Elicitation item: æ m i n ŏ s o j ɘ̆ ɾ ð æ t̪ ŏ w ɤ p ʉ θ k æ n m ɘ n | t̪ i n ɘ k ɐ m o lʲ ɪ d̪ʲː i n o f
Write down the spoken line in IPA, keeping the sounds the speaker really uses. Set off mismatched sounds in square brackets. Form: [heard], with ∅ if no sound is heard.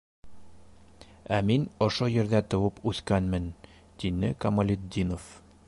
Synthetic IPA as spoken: æ m i n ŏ [ʃ] o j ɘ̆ ɾ ð æ t̪ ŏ w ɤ p ʉ θ k æ n m ɘ n | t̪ i n ɘ k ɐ m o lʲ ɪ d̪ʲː i n o f